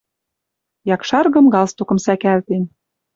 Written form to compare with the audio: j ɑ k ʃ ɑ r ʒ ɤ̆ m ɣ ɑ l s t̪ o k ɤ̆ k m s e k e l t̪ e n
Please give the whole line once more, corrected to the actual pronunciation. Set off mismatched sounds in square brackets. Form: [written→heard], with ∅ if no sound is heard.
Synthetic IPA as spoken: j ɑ k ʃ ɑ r [ʒ→ɣ] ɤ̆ m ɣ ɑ l s t̪ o k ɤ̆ [k→∅] m s [e→æ] k [e→æ] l t̪ e n